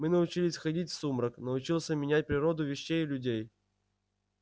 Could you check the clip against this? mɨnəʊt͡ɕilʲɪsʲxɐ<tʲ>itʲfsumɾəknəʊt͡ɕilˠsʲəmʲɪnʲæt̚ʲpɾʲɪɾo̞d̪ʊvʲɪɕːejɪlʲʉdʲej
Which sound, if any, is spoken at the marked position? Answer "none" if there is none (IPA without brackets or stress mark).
dʲ